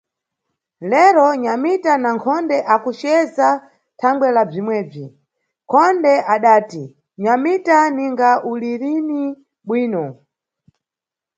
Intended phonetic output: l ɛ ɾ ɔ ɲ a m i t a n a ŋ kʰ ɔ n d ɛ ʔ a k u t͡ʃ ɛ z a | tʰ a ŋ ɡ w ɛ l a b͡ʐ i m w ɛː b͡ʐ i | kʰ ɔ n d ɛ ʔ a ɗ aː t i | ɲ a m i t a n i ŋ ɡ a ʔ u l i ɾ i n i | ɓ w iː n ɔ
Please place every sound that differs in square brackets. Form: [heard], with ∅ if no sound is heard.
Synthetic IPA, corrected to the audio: l ɛ ɾ ɔ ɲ a m i t a n a ŋ kʰ ɔ n d ɛ ʔ a k u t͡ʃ ɛ z a | tʰ a ŋ ɡ w ɛ l a b͡ʐ i m w ɛː b͡ʐ i | kʰ ɔ n d ɛ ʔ a ɗ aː t i | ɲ a m i t a n i ŋ ɡ a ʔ u l i ɾ i n i | ɓ w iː n ɔ